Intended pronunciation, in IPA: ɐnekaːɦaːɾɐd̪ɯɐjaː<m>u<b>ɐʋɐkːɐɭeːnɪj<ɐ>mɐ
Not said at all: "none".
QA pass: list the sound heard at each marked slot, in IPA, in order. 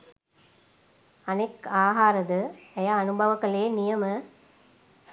n, b, ɐ

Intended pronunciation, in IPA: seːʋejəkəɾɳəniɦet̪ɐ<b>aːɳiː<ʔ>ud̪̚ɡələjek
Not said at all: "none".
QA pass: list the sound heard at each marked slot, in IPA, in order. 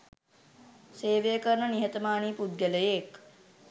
m, p

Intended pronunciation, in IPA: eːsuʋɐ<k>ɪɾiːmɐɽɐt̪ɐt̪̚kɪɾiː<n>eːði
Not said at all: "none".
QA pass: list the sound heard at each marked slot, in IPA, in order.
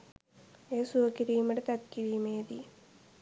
k, m

